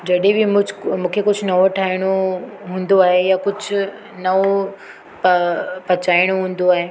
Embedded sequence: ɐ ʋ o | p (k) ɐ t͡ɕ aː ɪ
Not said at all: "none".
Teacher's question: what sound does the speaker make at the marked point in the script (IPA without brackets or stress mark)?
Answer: p